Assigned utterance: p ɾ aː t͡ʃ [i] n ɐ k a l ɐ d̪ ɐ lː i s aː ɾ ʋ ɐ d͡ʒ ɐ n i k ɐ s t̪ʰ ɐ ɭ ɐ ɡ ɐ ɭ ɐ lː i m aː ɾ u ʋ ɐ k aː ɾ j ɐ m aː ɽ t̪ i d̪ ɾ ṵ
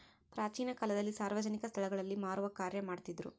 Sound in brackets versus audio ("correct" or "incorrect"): incorrect